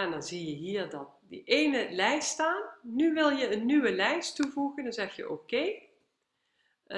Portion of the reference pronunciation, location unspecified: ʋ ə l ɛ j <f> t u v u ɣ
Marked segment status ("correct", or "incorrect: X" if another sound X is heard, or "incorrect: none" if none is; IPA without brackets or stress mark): incorrect: s